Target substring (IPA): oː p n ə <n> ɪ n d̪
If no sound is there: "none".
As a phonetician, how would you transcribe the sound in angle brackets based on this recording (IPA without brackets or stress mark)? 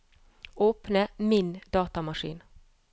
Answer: m